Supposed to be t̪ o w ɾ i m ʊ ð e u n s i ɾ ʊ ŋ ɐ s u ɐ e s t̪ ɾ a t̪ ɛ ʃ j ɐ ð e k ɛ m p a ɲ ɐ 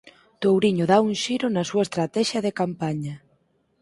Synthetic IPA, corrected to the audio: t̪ o w ɾ i ɲ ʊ ð a u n ʃ i ɾ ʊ n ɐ s u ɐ e s t̪ ɾ a t̪ ɛ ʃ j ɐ ð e k a m p a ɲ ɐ